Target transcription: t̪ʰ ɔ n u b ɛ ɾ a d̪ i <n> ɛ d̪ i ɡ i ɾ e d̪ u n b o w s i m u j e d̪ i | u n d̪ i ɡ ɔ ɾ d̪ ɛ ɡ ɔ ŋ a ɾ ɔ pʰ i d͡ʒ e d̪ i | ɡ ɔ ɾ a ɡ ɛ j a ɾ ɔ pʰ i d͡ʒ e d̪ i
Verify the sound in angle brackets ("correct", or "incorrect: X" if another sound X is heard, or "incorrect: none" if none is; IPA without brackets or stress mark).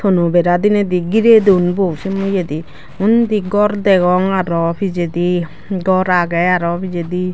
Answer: correct